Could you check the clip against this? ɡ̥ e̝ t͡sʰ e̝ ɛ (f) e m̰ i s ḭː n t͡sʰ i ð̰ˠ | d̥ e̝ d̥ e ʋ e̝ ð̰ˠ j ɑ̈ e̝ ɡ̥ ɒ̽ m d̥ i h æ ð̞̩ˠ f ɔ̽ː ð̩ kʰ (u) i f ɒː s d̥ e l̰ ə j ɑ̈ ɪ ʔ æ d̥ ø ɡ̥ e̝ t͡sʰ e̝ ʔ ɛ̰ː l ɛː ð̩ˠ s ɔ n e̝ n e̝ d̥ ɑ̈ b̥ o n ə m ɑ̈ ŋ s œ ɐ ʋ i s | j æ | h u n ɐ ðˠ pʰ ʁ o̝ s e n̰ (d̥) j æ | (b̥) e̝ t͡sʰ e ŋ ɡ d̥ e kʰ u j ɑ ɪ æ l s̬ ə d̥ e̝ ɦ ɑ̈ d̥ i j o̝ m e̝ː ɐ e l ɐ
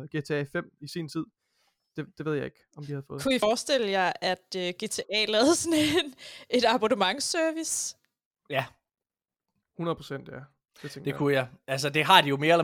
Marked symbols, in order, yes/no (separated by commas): yes, yes, yes, no